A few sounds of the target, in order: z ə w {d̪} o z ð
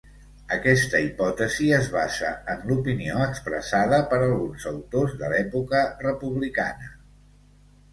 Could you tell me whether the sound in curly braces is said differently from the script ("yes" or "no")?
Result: yes